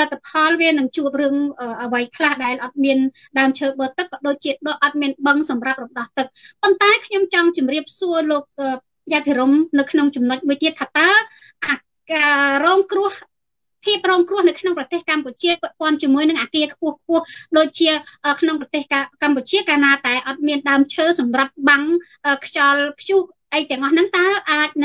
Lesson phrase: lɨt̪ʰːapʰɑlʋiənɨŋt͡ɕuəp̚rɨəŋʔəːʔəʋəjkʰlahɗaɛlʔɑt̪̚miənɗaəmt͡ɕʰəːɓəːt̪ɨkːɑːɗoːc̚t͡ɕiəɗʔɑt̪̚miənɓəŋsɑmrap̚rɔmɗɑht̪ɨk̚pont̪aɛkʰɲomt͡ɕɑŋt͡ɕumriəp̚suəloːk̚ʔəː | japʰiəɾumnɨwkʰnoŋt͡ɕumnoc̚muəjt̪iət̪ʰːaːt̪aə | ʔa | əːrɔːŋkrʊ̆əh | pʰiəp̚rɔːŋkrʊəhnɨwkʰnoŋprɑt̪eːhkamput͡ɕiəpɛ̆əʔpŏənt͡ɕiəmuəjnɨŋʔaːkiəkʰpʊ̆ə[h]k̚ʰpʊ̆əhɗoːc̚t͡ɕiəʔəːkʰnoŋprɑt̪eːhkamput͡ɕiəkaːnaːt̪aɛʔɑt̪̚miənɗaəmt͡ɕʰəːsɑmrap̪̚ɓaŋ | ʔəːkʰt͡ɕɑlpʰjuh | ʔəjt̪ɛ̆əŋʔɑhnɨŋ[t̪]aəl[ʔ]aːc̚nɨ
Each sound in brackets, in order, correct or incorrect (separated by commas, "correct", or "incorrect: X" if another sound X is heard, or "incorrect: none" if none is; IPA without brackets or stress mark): correct, correct, correct